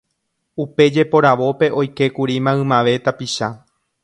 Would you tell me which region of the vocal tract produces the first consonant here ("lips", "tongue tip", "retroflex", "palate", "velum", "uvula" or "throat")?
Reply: lips